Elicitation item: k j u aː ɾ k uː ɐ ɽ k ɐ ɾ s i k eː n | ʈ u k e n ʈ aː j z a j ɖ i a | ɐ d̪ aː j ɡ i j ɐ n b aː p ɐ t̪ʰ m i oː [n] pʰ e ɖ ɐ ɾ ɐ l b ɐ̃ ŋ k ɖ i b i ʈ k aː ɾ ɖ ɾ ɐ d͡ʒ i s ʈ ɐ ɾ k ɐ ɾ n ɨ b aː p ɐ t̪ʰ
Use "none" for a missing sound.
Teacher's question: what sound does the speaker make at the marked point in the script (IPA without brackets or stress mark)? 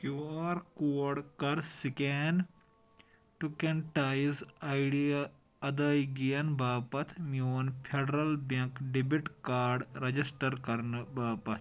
n